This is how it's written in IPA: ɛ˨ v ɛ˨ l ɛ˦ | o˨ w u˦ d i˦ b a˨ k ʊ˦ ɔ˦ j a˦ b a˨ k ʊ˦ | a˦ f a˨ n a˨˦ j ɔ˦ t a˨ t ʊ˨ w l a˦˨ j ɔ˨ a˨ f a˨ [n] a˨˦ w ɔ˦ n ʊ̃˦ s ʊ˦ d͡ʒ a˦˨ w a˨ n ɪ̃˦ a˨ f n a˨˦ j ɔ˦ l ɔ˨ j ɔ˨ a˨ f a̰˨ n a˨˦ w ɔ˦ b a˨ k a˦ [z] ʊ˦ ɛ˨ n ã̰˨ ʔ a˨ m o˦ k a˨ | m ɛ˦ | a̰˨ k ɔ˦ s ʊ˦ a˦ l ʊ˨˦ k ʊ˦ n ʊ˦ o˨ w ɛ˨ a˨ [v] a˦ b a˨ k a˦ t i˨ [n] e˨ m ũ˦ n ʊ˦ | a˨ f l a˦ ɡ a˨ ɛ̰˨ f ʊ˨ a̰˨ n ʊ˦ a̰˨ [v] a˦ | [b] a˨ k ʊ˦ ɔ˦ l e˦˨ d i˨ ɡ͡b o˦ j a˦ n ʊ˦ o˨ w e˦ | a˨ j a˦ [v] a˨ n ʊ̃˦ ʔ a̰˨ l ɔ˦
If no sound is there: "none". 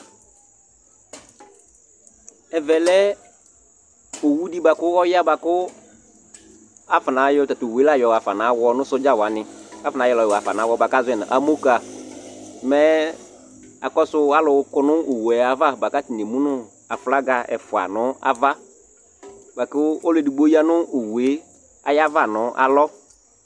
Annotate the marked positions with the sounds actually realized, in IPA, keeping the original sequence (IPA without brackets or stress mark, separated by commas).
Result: n, z, v, n, v, b, v